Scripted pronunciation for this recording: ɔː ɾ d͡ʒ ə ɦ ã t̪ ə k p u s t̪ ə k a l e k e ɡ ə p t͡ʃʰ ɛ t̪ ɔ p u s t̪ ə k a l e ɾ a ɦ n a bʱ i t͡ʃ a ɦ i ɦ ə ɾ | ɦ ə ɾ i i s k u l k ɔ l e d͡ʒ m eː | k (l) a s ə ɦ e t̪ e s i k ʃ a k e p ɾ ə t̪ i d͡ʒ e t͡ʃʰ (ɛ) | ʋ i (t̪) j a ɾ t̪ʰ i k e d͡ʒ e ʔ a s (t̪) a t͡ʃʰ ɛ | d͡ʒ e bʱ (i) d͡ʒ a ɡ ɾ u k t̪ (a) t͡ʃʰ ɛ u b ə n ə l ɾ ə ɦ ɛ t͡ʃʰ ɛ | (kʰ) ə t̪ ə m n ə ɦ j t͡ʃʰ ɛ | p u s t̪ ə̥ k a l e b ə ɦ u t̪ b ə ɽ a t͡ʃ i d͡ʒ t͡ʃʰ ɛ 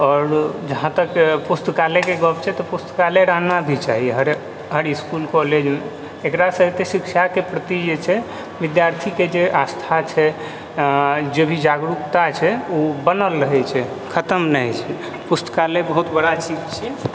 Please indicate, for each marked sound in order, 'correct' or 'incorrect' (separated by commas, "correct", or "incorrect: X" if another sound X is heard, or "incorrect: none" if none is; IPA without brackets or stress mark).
incorrect: ɾ, correct, incorrect: d̪, incorrect: t̪ʰ, correct, correct, correct